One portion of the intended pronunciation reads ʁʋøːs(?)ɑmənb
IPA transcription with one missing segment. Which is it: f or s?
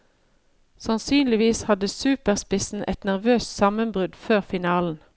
s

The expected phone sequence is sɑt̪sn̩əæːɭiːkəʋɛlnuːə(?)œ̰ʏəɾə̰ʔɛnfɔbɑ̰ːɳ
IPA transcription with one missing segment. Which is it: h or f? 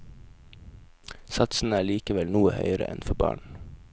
h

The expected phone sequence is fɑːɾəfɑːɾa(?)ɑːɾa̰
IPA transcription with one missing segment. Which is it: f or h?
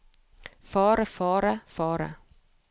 f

